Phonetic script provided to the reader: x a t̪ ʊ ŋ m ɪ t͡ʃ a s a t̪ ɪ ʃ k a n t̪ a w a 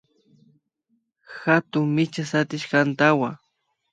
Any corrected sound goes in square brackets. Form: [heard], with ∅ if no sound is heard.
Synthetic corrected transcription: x a t̪ ʊ ŋ m ɪ t͡ʃ a s a t̪ ɪ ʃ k a n t̪ a w a

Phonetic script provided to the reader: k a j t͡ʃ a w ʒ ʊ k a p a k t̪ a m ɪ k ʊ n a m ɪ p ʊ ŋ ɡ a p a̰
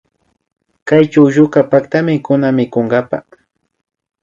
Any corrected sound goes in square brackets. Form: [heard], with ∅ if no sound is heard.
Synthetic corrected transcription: k a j t͡ʃ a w ʒ ʊ k a p a k t̪ a m ɪ k ʊ n a m ɪ [k] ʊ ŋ ɡ a p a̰

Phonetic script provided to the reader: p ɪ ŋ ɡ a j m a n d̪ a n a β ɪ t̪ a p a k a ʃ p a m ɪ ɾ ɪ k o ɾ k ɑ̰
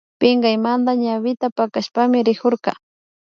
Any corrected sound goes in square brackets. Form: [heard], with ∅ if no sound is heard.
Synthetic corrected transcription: p ɪ ŋ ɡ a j m a n d̪ a [ɲ] a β ɪ t̪ a p a k a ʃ p a m ɪ ɾ ɪ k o ɾ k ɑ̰

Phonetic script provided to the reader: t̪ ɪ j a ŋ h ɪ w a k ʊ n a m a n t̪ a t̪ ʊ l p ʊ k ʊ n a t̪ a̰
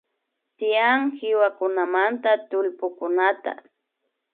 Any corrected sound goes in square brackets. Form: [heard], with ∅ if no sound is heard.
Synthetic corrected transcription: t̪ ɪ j a ŋ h ɪ w a k ʊ n a m a n t̪ a t̪ ʊ l p ʊ k ʊ n a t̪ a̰

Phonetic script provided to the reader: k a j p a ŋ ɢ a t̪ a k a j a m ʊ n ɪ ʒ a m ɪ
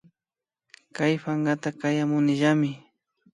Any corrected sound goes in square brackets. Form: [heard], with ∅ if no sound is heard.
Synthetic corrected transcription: k a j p a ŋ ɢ a t̪ a k a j a m ʊ n ɪ ʒ a m ɪ

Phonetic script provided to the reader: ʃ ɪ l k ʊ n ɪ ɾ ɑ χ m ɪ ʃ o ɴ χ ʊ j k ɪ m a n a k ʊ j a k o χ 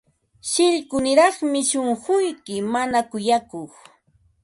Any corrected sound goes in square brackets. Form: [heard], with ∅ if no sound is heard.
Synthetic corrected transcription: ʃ ɪ [ʎ] k ʊ n ɪ ɾ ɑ χ m ɪ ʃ o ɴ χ ʊ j k ɪ m a n a k ʊ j a k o χ

